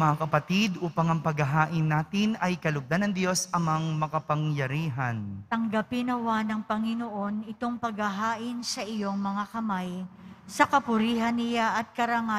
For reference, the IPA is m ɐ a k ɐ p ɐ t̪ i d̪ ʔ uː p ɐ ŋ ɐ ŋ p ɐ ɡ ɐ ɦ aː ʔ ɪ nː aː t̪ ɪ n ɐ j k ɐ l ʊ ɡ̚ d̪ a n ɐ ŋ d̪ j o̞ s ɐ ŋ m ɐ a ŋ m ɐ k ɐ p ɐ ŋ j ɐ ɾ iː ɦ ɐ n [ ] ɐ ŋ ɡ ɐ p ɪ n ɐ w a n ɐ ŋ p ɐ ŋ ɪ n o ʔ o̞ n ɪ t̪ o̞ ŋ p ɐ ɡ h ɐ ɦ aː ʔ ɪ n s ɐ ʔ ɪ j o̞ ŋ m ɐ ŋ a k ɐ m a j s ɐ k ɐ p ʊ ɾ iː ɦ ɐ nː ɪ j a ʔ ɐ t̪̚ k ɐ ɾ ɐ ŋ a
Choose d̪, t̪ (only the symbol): t̪